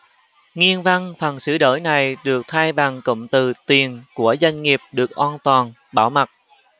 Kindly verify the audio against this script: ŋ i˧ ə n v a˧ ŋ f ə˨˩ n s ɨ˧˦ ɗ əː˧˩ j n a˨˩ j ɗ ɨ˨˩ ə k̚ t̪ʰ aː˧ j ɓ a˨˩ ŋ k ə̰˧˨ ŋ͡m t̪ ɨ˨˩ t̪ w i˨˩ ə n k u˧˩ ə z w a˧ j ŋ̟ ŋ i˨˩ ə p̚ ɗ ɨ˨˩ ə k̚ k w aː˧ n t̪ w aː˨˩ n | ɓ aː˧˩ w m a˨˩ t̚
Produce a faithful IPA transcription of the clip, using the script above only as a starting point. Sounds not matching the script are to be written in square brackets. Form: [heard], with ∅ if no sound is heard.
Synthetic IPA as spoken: ŋ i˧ ə n v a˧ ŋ f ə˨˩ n s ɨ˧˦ ɗ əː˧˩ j n a˨˩ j ɗ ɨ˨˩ ə k̚ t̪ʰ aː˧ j ɓ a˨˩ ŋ k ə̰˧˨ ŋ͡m t̪ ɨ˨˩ t̪ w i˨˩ ə n k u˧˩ ə z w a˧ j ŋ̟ ŋ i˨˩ ə p̚ ɗ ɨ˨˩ ə k̚ [ʔ] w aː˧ n t̪ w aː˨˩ n | ɓ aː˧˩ w m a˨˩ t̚